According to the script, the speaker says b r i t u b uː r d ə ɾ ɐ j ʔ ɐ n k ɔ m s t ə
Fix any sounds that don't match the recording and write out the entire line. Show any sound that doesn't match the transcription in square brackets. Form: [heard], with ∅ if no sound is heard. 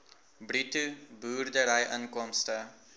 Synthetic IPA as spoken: b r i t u b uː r d ə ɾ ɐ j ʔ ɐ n k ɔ m s t ə

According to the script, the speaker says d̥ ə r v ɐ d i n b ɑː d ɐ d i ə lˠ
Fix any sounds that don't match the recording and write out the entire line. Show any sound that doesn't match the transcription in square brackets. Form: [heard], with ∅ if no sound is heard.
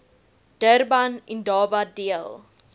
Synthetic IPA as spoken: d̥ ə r [b] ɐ [n] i n [d] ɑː [b] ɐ d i ə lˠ

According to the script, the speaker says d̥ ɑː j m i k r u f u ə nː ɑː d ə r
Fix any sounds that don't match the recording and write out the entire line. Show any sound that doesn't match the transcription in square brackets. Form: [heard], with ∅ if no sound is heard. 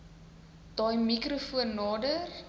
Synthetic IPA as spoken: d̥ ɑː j m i k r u f u ə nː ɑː d ə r

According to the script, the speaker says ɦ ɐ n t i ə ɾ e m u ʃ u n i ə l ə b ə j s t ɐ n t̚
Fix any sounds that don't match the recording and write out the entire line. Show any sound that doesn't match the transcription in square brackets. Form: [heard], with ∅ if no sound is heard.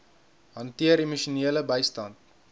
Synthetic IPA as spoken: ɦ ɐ n t i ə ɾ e m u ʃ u n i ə l ə b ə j s t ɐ n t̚

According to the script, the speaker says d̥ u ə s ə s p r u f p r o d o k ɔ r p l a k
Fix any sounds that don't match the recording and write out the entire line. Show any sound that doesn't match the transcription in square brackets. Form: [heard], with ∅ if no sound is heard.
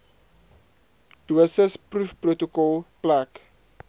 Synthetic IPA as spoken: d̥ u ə s ə s p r u f p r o [t] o k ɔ [l] p l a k

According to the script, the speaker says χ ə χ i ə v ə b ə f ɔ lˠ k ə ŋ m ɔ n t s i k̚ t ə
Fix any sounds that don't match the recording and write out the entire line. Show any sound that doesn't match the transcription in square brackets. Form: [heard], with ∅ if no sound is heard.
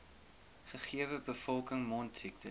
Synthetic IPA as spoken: χ ə χ i ə v ə b ə f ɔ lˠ k ə ŋ m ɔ n t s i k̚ t ə

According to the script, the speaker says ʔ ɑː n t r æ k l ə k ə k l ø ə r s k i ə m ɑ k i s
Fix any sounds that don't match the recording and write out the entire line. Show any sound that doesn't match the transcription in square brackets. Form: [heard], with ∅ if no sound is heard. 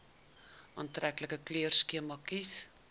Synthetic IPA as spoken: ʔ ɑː n t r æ k l ə k ə k l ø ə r s k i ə m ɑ k i s

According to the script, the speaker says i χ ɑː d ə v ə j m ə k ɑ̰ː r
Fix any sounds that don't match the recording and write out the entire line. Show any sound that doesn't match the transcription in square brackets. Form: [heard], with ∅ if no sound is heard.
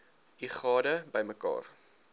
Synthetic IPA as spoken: i χ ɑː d ə [b] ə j m ə k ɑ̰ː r

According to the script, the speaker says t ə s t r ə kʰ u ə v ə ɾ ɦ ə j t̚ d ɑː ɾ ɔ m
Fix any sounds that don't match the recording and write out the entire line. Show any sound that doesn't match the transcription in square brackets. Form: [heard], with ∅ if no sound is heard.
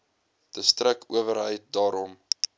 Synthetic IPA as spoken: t ə s t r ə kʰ u ə v ə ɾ ɦ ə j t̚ d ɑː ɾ ɔ m

